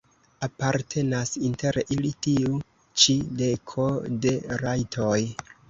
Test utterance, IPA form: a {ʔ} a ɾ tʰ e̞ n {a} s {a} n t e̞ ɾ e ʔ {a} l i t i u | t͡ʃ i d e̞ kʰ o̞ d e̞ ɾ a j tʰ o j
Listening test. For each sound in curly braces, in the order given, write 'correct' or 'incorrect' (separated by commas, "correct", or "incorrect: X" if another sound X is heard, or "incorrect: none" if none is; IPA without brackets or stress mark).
incorrect: p, correct, incorrect: i, incorrect: i